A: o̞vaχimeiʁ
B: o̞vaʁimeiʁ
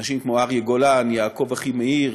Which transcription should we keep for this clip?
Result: A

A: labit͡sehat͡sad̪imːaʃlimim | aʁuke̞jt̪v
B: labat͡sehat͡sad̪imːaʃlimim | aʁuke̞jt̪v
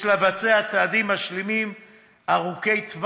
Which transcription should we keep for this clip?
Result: B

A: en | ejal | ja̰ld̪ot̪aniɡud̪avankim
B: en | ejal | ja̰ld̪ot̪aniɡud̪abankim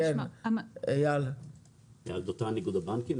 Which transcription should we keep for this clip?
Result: B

